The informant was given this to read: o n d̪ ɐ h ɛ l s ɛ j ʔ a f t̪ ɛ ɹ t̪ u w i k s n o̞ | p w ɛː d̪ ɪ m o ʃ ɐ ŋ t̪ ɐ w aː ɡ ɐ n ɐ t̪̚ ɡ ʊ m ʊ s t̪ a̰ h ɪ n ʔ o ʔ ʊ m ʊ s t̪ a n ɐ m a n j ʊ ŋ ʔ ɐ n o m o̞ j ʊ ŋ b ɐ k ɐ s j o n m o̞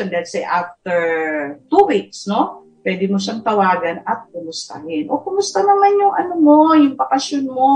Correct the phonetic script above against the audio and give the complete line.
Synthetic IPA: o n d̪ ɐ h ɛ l s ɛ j ʔ a f t̪ ɛ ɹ t̪ u w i k s n o̞ | p w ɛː d̪ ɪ m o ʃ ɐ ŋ t̪ ɐ w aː ɡ ɐ n ɐ t̪̚ k ʊ m ʊ s t̪ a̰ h ɪ n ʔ o k ʊ m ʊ s t̪ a n ɐ m a n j ʊ ŋ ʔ ɐ n o m o̞ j ʊ ŋ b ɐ k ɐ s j o n m o̞